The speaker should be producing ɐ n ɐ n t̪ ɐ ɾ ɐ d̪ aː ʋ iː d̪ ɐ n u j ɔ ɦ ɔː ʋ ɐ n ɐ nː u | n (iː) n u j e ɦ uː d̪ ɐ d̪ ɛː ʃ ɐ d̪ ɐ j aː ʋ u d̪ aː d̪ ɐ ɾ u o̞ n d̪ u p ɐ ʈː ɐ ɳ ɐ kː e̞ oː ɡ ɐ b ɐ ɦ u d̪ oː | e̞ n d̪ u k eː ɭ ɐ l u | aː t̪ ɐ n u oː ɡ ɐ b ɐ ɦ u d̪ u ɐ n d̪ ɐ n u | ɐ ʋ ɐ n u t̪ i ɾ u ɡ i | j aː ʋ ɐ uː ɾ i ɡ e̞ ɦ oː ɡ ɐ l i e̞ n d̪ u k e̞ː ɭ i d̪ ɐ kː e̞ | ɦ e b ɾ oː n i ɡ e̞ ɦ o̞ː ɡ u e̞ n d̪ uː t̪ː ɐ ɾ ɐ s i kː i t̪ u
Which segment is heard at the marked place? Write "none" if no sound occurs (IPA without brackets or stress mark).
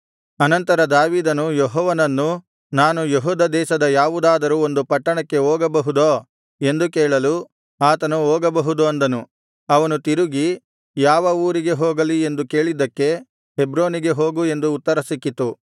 aː